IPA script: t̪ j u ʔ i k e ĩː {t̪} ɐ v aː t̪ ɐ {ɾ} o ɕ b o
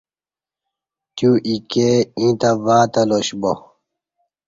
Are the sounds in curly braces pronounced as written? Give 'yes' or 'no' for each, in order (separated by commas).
yes, no